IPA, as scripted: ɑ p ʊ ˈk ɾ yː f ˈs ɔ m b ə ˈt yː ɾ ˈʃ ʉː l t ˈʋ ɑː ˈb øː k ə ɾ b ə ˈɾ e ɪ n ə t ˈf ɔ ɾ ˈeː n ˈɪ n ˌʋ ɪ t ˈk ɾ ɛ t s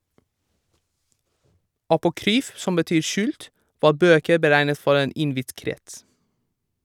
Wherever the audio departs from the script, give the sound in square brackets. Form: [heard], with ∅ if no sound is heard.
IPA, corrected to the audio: ɑ p ʊ ˈk ɾ yː f ˈs ɔ m b ə ˈt yː ɾ ˈʃ ʉː l t ˈʋ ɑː ˈb øː k ə ɾ b ə ˈɾ [æ] ɪ n ə t ˈf ɔ ɾ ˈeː n ˈɪ n ˌʋ ɪ t ˈk ɾ ɛ t s

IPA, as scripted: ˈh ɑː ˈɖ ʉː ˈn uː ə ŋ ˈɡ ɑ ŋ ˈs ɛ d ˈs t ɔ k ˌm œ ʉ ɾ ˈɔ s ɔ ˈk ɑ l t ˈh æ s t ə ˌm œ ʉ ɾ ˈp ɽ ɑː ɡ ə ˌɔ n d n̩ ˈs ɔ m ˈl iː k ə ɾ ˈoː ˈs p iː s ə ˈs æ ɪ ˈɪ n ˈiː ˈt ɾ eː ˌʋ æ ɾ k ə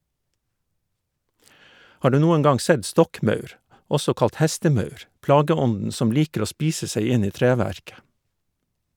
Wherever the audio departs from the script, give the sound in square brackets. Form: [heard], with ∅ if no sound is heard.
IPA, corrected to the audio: ˈh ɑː ˈɖ ʉː ˈn uː ə ŋ ˈɡ ɑ ŋ ˈs ɛ d ˈs t ɔ k ˌm œ ʉ ɾ ˈɔ s ɔ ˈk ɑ l t ˈh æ s t ə ˌm œ ʉ ɾ ˈp [l] ɑː ɡ ə ˌɔ n d n̩ ˈs ɔ m ˈl iː k ə ɾ ˈoː ˈs p iː s ə ˈs æ ɪ ˈɪ n ˈiː ˈt ɾ eː ˌʋ æ ɾ k ə

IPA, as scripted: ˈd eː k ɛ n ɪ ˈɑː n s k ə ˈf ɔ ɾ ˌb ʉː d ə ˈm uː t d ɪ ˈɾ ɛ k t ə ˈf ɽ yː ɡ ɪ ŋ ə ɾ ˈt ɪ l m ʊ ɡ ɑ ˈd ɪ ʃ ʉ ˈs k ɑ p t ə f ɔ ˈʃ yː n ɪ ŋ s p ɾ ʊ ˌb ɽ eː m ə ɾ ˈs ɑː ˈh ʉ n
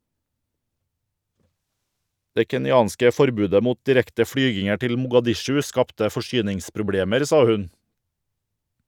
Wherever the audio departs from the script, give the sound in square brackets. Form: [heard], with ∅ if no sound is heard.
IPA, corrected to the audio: ˈd eː k ɛ n ɪ ˈɑː n s k ə ˈf ɔ ɾ ˌb ʉː d ə ˈm uː t d ɪ ˈɾ ɛ k t ə ˈf ɽ yː ɡ ɪ ŋ ə ɾ ˈt ɪ l m ʊ ɡ ɑ ˈd ɪ ʃ ʉ ˈs k ɑ p t ə f ɔ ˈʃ yː n ɪ ŋ s p ɾ ʊ ˌb ɽ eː m ə ɾ ˈs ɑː ˈh ʉ n

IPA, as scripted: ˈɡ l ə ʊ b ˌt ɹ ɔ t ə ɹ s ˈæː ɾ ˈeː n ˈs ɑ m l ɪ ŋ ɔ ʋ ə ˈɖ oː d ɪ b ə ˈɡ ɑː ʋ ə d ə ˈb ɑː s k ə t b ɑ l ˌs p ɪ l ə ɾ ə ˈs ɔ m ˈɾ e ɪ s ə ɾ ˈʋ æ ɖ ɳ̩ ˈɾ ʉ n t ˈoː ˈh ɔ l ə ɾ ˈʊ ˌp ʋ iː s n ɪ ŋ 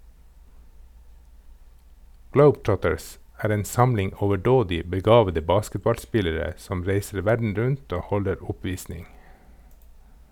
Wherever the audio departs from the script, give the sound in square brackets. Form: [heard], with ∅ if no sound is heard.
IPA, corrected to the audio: ˈɡ l ə ʊ b ˌt ɹ ɔ t ə ɹ s ˈæː ɾ ˈeː n ˈs ɑ m l ɪ ŋ ɔ ʋ ə ˈɖ oː d ɪ b ə ˈɡ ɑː ʋ ə d ə ˈb ɑː s k ə t b ɑ l ˌs p ɪ l ə ɾ ə ˈs ɔ m ˈɾ e ɪ s ə ɾ ˈʋ æ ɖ ɳ̩ ˈɾ ʉ n t ˈoː ˈh ɔ l ə ɾ ˈʊ ˌp ʋ iː s n ɪ ŋ

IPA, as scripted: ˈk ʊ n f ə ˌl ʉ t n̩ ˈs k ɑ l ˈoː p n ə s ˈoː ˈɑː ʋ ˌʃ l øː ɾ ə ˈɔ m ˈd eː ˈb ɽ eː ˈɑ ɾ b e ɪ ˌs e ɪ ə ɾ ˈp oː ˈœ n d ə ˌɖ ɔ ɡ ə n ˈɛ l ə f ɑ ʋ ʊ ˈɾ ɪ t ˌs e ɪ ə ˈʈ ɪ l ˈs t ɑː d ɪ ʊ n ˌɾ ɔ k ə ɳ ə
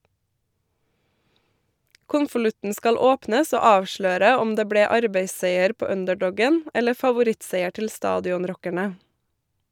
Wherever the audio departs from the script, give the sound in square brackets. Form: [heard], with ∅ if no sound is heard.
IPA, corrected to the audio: ˈk ʊ n f ə ˌl ʉ t n̩ ˈs k ɑ l ˈoː p n ə s ˈoː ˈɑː ʋ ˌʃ l øː ɾ ə ˈɔ m ˈd eː ˈb ɽ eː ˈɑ ɾ b e ɪ ˌs e ɪ ə ɾ ˈp oː ˈœ n d ə ˌɖ ɔ ɡ ə n ˈɛ l ə f ɑ ʋ ʊ ˈɾ ɪ t ˌs e ɪ ə ˈʈ ɪ l ˈs t ɑː d ɪ ʊ n ˌɾ ɔ k ə ɳ ə

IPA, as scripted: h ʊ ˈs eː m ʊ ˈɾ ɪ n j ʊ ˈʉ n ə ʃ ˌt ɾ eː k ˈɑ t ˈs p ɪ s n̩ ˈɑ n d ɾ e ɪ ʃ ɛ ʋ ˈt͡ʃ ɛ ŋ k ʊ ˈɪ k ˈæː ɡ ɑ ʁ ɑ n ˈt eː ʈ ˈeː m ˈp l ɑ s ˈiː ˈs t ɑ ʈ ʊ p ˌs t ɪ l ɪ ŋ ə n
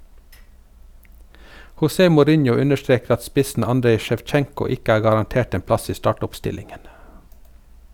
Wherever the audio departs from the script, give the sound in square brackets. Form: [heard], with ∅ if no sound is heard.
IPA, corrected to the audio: h ʊ ˈs eː m ʊ ˈɾ ɪ n j ʊ ˈʉ n ə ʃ ˌt ɾ eː k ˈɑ t ˈs p ɪ s n̩ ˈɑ n d ɾ e ɪ ʃ ɛ ʋ ˈt͡ʃ ɛ ŋ k ʊ ˈɪ k ˈæː ɡ ɑ ʁ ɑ n ˈt eː ʈ ˈeː m ˈp l ɑ s ˈiː ˈs t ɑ ʈ ʊ p ˌs t ɪ l ɪ ŋ ə n

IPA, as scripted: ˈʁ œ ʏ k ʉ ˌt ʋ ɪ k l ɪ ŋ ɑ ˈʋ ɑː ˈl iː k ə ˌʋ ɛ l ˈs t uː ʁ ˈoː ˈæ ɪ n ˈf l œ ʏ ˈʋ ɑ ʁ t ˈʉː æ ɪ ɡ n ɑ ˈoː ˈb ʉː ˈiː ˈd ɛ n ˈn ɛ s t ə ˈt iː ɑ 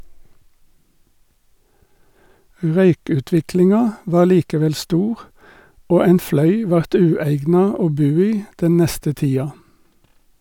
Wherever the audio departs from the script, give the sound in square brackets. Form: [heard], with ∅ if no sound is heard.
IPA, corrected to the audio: ˈʁ œ ʏ k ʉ ˌt ʋ ɪ k l ɪ ŋ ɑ ˈʋ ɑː ˈl iː k ə ˌʋ ɛ l ˈs t uː ʁ ˈoː ˈæ ɪ n ˈf l œ ʏ ˈʋ ɑ ʁ t ˈʉː æ ɪ ɡ n ɑ ˈoː ˈb ʉː ˈiː ˈd ɛ n ˈn ɛ s t ə ˈt iː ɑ

